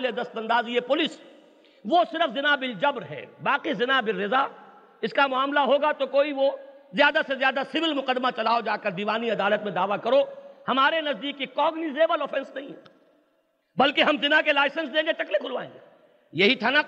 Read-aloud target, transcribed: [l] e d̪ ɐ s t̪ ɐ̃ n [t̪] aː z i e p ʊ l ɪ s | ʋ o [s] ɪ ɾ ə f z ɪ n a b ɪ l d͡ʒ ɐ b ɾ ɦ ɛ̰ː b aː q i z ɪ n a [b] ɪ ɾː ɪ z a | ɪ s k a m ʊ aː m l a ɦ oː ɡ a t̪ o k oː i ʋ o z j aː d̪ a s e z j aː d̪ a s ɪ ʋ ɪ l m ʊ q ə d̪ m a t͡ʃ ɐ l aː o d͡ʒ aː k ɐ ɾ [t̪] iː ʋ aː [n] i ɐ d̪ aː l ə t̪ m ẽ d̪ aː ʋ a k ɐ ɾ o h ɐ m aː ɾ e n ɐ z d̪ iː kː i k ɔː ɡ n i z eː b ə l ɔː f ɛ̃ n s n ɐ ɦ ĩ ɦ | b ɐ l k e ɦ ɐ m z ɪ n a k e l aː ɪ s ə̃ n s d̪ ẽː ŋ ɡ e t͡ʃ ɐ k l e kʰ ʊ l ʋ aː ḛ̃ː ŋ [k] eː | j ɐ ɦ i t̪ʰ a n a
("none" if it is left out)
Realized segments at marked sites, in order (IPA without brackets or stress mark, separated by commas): l, d̪, s, b, d̪, n, ɡ